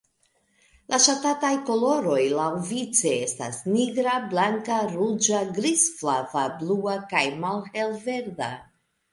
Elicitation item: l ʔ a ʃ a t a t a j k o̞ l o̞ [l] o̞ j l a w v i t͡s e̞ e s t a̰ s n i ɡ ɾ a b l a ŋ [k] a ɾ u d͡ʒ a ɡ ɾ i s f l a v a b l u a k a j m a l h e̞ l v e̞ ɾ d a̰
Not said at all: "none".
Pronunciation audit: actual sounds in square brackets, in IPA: ɾ, k

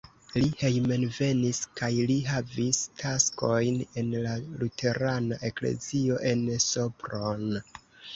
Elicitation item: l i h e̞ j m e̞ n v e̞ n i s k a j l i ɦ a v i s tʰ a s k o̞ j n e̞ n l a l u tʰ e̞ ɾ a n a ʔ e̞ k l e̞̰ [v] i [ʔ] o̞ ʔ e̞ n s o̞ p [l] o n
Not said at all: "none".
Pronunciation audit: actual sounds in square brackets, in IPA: z, none, ɾ

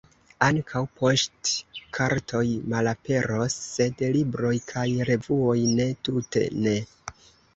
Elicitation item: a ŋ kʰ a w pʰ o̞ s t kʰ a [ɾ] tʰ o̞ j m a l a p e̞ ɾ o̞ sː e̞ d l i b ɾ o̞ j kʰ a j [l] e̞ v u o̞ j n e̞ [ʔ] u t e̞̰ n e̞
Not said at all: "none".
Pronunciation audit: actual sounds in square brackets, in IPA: ɾ, ɾ, t

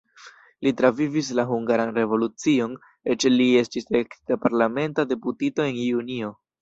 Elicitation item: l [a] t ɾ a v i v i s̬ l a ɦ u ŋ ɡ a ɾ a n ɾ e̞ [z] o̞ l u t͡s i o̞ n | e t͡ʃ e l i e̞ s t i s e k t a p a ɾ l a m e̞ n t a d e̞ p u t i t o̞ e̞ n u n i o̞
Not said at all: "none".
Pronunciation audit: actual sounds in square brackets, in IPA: i, v

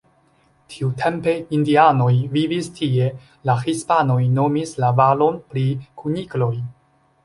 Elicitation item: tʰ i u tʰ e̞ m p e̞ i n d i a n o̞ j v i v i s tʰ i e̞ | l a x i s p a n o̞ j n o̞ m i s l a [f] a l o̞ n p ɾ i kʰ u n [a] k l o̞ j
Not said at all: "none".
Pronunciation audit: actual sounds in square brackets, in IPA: v, i

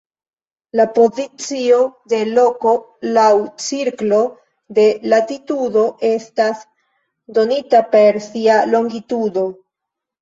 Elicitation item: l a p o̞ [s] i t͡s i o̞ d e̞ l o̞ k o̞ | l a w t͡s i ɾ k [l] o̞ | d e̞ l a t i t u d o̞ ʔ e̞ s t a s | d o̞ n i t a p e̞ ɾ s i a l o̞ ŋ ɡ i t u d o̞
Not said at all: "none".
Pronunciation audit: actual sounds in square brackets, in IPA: z, l

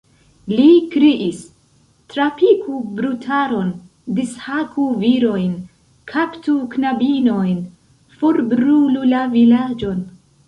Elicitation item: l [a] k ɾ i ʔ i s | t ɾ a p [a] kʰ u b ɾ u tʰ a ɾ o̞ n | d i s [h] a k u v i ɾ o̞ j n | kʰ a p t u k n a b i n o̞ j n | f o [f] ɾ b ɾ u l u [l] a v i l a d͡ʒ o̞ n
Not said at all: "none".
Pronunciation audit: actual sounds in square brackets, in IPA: i, i, h, none, l

